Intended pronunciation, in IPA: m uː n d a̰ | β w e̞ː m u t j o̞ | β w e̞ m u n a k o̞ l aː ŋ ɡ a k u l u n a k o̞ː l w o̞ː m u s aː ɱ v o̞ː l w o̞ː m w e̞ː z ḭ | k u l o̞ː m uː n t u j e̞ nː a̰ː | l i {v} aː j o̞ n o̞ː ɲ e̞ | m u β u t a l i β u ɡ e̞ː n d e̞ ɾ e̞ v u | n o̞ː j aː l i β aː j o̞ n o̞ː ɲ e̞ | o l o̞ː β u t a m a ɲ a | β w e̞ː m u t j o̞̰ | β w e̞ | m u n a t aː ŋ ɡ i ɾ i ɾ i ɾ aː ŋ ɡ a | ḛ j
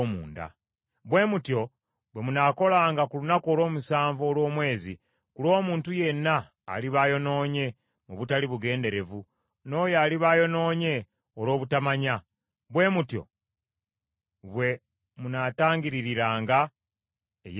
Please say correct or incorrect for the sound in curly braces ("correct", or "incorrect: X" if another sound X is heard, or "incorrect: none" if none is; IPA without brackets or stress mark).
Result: incorrect: β